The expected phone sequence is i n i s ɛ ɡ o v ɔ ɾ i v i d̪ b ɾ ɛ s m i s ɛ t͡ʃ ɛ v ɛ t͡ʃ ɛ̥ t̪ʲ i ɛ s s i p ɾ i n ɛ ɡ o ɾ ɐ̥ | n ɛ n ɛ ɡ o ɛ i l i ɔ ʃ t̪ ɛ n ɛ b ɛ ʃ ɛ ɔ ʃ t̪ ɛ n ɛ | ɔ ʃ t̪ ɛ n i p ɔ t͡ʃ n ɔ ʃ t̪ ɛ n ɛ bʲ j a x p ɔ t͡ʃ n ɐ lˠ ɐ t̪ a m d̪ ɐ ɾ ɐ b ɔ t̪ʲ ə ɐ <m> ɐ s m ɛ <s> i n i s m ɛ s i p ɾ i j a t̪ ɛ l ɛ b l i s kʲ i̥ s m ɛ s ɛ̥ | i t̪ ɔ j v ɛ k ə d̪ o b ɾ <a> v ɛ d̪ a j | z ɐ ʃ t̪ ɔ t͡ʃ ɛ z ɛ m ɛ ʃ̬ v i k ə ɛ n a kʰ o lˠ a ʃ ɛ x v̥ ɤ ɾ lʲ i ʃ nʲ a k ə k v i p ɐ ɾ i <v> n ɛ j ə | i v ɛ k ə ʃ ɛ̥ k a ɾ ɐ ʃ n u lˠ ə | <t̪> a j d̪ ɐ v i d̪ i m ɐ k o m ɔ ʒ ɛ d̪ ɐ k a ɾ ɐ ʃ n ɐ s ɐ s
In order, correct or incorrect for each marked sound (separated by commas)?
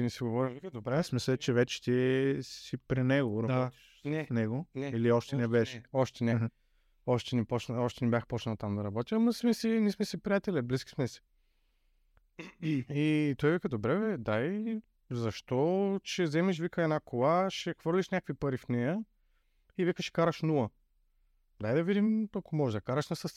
correct, correct, incorrect, incorrect, incorrect